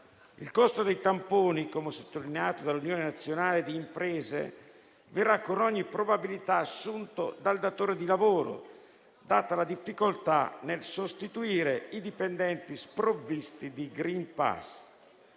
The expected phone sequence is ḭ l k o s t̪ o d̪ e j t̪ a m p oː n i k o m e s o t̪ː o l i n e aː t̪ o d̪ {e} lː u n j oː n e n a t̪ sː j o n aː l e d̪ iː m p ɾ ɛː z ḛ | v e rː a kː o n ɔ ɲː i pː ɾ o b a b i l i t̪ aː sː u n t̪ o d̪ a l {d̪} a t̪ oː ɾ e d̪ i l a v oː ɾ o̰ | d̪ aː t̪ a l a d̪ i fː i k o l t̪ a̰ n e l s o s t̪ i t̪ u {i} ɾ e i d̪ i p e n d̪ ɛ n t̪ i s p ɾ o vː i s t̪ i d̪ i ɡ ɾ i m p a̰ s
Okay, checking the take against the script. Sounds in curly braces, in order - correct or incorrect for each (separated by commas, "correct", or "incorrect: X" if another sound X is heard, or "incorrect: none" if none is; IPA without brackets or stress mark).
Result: incorrect: a, correct, incorrect: iː